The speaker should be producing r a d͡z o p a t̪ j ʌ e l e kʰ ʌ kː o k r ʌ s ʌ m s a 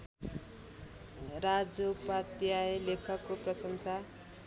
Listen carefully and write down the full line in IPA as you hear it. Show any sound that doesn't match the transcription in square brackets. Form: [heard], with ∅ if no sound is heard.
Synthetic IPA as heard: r a d͡z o p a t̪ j [a] e l e kʰ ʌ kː o [p] r ʌ s ʌ m s a